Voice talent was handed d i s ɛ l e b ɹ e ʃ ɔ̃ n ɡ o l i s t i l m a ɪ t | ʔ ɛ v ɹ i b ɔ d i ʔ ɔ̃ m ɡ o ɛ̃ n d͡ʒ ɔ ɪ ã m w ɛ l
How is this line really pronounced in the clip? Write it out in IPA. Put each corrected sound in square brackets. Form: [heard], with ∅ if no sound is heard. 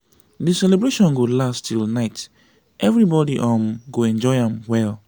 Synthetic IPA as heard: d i s ɛ l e b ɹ e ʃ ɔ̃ n ɡ o l [a] s t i l [n] a ɪ t | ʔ ɛ v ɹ i b ɔ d i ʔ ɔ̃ m ɡ o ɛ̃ n d͡ʒ ɔ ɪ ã m w ɛ l